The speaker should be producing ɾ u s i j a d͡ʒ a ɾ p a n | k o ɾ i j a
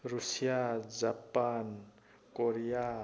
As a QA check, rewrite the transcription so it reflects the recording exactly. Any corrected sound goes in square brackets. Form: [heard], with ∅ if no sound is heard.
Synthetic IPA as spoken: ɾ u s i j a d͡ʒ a [∅] p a n | k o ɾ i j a